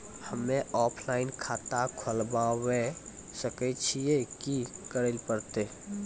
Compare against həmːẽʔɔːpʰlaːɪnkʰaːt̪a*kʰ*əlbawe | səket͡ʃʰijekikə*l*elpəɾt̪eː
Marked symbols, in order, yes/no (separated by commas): yes, no